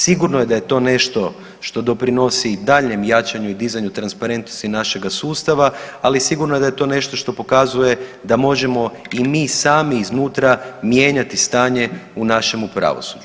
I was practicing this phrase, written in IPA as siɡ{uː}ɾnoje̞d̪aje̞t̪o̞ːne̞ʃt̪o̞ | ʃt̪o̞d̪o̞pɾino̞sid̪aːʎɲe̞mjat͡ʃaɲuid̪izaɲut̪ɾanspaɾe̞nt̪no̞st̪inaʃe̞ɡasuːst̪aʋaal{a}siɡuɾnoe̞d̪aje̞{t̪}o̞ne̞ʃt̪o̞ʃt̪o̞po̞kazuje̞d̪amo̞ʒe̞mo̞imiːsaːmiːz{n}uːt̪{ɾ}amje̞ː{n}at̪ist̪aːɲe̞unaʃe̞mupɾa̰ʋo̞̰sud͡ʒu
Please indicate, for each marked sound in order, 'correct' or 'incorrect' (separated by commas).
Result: incorrect, incorrect, correct, correct, correct, incorrect